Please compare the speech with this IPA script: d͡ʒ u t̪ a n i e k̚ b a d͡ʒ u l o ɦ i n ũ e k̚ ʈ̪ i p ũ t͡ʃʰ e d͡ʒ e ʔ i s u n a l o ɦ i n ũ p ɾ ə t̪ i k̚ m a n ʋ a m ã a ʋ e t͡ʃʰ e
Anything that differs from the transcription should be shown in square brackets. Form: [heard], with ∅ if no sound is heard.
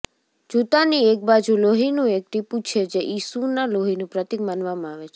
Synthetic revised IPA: d͡ʒ u t̪ a n i e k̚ b a d͡ʒ u l o ɦ i n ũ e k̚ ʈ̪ i p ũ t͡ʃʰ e d͡ʒ e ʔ i s u n a l o ɦ i n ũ p ɾ ə t̪ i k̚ m a n ʋ a m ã a ʋ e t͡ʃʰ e